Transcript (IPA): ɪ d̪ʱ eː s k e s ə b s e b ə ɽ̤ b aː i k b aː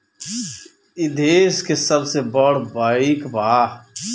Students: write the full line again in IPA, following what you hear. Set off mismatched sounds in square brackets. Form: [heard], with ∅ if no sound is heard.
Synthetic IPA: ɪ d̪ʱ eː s k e s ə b s e b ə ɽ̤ b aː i k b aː